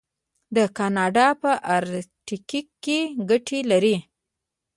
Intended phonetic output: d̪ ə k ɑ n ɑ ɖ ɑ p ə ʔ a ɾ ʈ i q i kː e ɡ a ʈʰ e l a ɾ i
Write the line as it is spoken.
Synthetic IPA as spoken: d̪ ə k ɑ n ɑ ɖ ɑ p ə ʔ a ɾ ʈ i k i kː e ɡ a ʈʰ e l a ɾ i